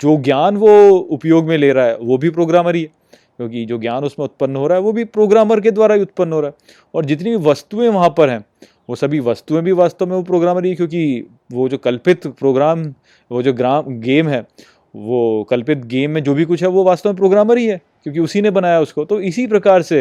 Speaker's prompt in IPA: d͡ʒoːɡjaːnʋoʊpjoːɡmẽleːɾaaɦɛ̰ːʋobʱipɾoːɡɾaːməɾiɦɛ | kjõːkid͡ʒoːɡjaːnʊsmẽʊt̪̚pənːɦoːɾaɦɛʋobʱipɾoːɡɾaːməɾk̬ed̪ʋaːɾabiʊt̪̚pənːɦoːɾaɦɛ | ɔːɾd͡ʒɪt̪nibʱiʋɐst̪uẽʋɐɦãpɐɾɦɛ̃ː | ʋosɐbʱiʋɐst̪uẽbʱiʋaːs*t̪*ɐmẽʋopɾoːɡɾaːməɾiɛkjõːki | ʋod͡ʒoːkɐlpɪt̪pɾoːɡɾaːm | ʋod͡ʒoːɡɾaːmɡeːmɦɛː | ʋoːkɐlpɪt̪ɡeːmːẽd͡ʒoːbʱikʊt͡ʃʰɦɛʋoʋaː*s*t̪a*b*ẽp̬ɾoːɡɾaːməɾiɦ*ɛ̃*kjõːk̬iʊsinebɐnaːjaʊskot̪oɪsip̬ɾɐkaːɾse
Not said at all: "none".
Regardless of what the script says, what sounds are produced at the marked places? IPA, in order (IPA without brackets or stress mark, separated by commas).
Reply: t̪, s, m, ɛ